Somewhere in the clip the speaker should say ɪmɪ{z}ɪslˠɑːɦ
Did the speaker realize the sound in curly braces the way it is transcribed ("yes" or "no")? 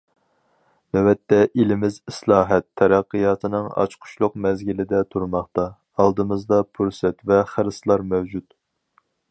yes